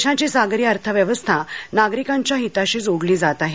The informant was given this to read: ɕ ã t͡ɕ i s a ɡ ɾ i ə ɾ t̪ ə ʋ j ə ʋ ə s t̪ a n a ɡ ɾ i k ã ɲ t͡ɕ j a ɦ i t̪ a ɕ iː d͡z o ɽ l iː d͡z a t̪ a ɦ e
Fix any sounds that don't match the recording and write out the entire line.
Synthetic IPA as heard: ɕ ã t͡ɕ i s a ɡ ɾ i ə ɾ t̪ʰ ə ʋ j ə ʋ ə s t̪ʰ a n a ɡ ɾ i k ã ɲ t͡ɕ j a ɦ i t̪ a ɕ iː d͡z o ɽ l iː d͡z a t̪ a ɦ e